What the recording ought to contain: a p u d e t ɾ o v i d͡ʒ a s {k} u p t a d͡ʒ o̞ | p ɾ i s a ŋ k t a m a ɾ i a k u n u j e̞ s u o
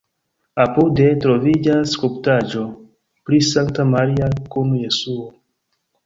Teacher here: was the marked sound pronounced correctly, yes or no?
yes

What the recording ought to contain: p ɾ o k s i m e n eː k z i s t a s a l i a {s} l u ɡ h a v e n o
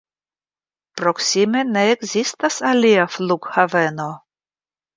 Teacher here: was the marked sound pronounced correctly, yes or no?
no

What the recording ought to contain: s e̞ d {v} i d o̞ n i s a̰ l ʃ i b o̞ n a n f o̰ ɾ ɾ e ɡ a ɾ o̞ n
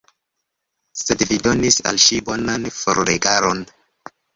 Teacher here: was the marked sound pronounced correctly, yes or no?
yes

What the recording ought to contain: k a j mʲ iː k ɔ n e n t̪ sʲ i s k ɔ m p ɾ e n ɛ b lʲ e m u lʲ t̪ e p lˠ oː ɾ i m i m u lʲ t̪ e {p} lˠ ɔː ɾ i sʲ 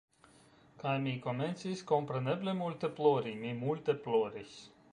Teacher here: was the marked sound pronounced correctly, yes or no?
yes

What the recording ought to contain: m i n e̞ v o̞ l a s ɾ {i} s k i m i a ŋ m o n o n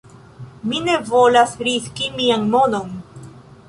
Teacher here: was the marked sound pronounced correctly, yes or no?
yes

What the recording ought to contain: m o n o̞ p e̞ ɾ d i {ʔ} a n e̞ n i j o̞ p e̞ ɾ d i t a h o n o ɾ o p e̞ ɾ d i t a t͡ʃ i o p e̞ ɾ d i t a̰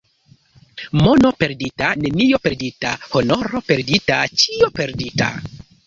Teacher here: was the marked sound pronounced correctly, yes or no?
no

